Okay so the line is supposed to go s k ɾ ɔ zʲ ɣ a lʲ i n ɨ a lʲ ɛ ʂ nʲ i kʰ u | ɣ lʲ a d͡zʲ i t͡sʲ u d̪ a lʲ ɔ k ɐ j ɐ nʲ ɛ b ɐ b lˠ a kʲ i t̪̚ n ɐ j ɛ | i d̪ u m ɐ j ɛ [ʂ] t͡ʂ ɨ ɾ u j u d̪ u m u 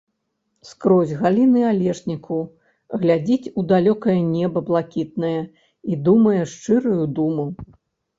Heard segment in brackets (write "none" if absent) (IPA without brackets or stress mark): ʂ